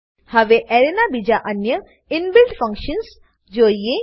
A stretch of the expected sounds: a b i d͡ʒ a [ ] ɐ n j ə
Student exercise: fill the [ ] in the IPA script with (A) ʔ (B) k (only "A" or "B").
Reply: A